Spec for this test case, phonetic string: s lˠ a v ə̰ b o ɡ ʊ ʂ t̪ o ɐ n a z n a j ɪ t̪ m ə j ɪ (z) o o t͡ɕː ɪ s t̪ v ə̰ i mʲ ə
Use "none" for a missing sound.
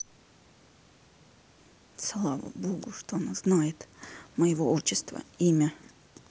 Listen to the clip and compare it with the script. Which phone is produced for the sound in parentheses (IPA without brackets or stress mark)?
v